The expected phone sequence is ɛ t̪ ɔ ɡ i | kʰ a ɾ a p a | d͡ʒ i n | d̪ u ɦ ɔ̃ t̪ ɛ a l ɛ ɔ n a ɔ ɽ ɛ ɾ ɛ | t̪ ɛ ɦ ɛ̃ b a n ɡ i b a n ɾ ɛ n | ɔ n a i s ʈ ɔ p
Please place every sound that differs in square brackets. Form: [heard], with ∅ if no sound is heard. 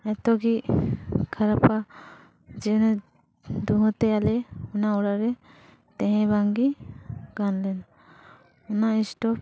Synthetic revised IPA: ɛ t̪ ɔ ɡ i | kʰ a ɾ a p a | d͡ʒ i n | d̪ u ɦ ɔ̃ t̪ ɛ a l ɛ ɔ n a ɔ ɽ [a] ɾ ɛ | t̪ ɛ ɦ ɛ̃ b a [ŋ] ɡ i [ɡ] a n [l] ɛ n | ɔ n a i s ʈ ɔ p